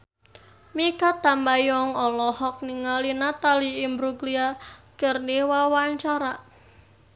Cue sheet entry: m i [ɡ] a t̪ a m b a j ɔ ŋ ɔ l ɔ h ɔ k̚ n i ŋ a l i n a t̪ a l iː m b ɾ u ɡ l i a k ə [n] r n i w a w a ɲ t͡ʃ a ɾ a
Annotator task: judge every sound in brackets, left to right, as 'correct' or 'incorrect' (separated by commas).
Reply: incorrect, incorrect